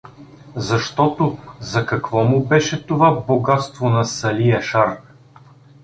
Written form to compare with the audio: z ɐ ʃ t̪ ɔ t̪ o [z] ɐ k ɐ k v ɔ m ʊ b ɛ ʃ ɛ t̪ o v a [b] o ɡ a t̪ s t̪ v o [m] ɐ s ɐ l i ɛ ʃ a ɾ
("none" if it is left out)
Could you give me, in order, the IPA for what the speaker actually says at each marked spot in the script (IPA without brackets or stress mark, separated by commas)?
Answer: z, b, n